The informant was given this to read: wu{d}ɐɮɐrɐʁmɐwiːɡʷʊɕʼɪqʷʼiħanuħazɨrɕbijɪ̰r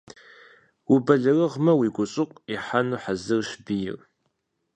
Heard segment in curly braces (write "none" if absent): b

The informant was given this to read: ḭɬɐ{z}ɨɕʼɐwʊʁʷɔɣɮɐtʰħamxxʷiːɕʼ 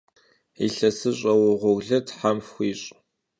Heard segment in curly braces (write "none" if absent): s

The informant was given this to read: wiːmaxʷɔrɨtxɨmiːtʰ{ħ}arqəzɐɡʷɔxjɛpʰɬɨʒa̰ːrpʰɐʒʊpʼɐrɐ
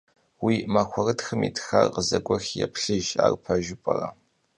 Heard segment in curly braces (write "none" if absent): x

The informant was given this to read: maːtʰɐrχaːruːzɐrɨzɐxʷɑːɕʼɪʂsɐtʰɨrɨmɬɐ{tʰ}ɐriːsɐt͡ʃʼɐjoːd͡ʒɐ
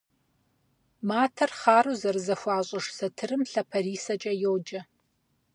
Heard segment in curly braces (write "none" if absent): pʰ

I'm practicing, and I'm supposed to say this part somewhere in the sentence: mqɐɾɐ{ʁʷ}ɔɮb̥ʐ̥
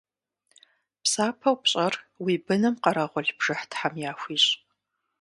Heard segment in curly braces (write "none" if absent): ʁʷ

